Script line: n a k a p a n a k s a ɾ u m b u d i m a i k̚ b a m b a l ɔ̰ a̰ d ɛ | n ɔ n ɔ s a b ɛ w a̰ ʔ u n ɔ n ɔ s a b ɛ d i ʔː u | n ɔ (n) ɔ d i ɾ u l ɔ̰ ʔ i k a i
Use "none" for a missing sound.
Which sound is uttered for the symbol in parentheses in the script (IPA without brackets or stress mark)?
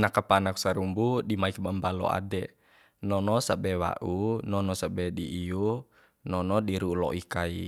n